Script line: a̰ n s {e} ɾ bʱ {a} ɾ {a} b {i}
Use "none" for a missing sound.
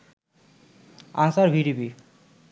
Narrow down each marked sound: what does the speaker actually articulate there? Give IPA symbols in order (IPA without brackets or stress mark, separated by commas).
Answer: a, i, i, i